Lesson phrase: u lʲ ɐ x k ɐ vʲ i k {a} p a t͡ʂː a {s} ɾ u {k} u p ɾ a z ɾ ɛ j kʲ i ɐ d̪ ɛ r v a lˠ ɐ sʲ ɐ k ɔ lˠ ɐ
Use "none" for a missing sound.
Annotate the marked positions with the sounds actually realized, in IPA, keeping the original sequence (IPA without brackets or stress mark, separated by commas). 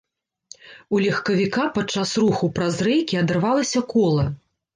a, s, x